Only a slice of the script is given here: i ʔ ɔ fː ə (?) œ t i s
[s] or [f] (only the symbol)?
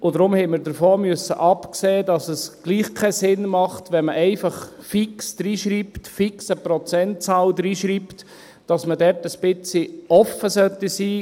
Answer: s